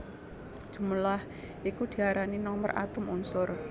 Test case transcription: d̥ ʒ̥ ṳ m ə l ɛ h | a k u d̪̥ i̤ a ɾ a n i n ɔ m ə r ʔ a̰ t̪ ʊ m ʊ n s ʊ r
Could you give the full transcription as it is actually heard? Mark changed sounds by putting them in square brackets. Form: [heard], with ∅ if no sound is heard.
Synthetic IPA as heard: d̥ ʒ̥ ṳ m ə l [a] h | [i] k u d̪̥ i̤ a ɾ a n i n ɔ m ə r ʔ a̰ t̪ ʊ m [u] n s ʊ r